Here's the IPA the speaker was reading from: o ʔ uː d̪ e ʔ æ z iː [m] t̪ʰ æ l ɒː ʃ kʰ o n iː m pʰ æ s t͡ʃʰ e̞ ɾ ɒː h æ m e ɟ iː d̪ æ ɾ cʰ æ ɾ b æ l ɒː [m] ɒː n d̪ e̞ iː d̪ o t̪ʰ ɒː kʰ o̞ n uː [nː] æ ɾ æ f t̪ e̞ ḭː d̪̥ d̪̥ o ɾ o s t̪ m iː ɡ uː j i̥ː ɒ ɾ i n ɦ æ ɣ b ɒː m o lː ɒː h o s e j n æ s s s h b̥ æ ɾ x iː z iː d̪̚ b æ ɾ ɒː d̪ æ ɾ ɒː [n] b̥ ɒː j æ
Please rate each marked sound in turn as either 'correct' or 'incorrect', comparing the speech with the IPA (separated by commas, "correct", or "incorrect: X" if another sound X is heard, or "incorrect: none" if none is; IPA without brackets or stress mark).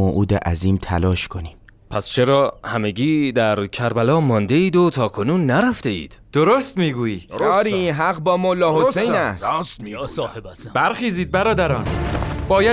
correct, correct, correct, correct